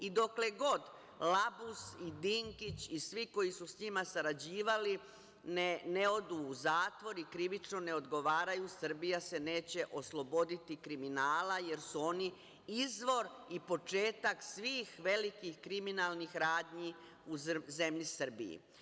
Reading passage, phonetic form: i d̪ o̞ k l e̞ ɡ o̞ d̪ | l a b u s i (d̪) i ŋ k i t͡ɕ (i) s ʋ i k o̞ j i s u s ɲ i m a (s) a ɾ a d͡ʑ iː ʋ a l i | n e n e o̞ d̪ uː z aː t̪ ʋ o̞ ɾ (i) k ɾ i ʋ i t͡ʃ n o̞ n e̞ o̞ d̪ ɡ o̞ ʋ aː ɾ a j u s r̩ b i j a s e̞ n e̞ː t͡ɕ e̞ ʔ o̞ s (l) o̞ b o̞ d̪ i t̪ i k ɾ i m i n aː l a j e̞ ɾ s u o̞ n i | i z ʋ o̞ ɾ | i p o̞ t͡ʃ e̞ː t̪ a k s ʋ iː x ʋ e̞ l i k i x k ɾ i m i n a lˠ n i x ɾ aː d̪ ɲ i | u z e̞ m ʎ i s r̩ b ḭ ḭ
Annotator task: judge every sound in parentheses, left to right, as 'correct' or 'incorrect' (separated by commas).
correct, correct, correct, correct, correct